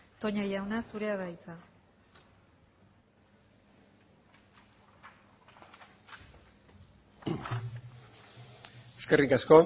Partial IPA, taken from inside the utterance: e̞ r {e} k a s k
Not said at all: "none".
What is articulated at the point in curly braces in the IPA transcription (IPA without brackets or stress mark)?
i